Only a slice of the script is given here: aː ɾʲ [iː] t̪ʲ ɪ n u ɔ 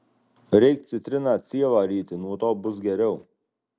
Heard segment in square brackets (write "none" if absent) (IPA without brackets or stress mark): iː